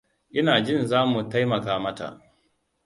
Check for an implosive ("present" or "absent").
absent